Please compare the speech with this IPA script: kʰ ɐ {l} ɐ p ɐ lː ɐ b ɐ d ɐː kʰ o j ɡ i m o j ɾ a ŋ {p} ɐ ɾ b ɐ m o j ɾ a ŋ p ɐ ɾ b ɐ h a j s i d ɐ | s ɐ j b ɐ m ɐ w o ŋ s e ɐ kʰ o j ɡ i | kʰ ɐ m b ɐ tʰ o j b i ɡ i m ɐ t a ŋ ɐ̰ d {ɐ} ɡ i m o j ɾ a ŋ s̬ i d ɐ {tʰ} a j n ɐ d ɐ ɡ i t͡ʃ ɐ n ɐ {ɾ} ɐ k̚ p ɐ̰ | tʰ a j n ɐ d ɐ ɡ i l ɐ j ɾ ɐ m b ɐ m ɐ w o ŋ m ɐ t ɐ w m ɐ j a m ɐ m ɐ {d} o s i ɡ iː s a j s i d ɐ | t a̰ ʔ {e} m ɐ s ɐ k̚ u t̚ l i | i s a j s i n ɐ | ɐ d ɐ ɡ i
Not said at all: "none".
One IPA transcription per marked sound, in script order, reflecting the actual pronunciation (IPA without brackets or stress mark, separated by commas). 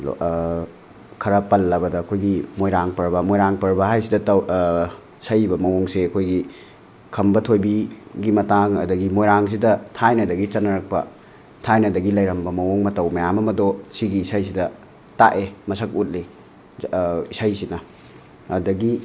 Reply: ɾ, p, ɐ, tʰ, ɾ, d, e